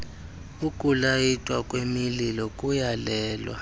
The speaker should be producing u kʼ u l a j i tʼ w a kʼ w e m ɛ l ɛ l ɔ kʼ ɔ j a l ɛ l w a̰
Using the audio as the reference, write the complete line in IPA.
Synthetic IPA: u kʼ u l a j i tʼ w a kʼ w e m i l i l ɔ kʼ u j a l ɛː l w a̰